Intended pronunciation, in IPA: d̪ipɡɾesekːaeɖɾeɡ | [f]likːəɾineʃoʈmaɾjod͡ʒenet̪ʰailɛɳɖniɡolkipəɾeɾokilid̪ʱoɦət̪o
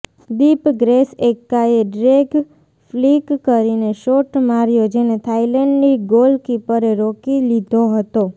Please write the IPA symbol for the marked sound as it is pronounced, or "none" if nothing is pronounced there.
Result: f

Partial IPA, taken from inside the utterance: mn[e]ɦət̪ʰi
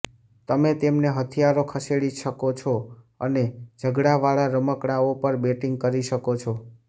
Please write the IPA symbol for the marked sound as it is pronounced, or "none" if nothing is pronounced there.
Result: e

